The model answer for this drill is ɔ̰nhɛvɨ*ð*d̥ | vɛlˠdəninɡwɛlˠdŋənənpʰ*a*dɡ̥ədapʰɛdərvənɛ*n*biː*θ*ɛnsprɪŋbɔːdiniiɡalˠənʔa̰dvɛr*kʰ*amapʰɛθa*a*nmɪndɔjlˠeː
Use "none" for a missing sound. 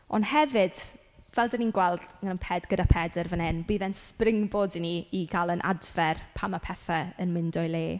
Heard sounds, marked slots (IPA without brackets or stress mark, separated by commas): none, ɛ, n, ð, pʰ, ə